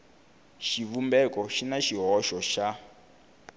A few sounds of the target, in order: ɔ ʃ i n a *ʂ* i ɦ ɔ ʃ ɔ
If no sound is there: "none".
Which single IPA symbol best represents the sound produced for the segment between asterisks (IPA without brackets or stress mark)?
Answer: ʃ